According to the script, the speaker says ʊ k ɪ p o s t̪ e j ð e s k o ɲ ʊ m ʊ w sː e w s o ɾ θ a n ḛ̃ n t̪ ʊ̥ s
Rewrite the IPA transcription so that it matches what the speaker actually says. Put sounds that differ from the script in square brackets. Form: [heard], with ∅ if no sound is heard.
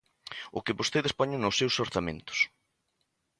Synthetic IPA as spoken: ʊ k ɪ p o s t̪ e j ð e s [p] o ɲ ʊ [n] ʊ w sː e w s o ɾ θ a [m] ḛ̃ n t̪ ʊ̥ s